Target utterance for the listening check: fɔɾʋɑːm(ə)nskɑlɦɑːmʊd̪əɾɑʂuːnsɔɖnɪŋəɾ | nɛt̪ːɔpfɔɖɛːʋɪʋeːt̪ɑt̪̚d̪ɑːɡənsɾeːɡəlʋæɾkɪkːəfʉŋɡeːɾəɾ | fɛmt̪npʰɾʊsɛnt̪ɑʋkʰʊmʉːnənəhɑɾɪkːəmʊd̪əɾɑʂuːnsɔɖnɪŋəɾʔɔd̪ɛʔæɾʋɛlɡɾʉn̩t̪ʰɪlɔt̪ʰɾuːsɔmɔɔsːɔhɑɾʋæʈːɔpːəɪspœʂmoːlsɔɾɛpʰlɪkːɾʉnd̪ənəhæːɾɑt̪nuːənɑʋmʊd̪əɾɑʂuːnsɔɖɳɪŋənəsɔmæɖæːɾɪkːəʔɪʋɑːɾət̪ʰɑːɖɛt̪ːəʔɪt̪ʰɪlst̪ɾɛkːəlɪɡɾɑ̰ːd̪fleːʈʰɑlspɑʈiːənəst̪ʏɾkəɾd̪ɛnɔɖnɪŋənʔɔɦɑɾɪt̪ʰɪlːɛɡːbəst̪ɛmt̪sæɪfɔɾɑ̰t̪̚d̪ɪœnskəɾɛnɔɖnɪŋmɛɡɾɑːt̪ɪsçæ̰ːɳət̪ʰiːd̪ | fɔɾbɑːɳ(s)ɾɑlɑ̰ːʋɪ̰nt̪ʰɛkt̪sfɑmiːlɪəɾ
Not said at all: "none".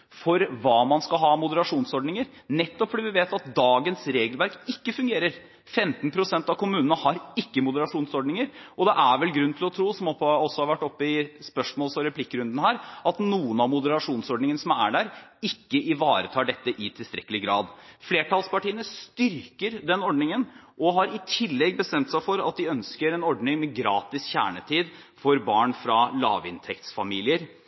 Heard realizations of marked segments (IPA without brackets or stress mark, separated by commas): ɑ, f